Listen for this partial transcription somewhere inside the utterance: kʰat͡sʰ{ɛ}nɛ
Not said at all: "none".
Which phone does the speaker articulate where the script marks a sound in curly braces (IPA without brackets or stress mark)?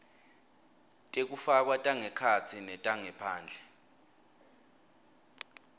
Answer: i